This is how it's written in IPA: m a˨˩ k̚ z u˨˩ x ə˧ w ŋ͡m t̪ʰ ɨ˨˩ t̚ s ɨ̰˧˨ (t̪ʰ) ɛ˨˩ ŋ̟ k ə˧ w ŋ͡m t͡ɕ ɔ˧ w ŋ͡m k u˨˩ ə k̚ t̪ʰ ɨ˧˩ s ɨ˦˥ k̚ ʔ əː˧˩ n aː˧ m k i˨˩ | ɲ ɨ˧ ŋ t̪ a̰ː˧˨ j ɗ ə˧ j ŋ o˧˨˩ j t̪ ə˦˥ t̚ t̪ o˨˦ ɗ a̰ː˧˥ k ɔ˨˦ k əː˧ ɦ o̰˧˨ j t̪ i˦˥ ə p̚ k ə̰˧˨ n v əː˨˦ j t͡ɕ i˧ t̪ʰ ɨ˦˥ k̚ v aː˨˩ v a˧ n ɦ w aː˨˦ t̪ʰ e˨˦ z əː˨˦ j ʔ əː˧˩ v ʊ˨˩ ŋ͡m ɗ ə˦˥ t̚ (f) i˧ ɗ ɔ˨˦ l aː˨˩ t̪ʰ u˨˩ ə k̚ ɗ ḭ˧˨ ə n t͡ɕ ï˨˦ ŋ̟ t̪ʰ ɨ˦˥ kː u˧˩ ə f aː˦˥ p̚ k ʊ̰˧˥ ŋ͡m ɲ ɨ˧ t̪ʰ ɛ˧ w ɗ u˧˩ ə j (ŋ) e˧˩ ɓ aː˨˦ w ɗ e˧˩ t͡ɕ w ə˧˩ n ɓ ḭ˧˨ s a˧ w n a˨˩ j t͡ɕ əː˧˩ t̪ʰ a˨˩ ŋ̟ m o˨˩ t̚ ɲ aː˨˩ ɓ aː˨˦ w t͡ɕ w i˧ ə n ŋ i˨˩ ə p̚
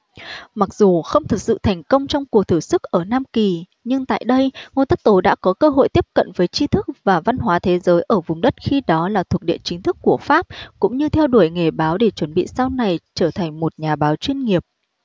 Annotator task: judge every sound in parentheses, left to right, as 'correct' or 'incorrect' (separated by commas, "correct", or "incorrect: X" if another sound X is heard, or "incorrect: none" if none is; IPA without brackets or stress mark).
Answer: correct, incorrect: x, correct